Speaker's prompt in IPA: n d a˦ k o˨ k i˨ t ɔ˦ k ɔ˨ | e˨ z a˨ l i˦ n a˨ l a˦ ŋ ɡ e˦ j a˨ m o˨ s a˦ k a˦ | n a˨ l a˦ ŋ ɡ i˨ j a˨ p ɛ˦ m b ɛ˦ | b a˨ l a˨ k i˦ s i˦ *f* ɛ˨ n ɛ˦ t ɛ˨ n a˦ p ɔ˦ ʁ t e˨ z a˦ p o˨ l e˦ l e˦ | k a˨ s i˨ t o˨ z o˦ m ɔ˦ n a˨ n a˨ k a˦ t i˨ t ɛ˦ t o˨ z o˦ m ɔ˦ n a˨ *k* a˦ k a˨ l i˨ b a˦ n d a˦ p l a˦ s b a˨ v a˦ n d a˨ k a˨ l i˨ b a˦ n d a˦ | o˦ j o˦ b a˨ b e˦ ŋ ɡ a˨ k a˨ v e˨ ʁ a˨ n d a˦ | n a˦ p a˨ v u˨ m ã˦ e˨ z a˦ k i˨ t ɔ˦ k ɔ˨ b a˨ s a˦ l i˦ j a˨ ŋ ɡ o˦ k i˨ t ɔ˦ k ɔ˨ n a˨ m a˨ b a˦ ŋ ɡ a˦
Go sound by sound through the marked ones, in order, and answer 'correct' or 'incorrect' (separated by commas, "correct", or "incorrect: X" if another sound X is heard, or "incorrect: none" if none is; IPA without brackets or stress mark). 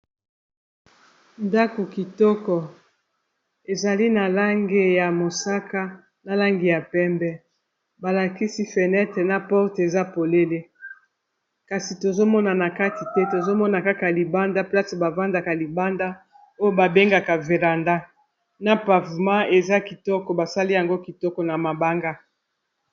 correct, correct